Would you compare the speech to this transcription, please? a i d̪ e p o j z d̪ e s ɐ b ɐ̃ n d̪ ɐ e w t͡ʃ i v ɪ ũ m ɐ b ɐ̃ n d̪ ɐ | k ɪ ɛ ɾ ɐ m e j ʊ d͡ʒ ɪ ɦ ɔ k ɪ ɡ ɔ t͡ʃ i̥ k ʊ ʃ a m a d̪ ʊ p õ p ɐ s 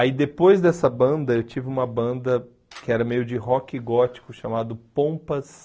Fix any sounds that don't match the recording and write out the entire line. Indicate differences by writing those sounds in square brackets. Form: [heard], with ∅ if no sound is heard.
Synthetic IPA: a i d̪ e p o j z d̪ [ɛ] s ɐ b ɐ̃ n d̪ ɐ e w t͡ʃ i v ɪ ũ m ɐ b ɐ̃ n d̪ ɐ | k ɪ ɛ ɾ ɐ m e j ʊ d͡ʒ ɪ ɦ ɔ k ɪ ɡ ɔ t͡ʃ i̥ k ʊ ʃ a m a d̪ ʊ p õ p ɐ s

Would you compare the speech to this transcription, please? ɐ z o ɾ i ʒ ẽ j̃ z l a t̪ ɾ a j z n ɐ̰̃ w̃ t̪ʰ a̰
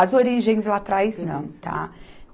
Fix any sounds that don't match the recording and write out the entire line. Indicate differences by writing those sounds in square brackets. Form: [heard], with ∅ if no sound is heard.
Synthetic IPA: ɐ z o ɾ i ʒ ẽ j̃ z l a t̪ ɾ a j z n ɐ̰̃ w̃ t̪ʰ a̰

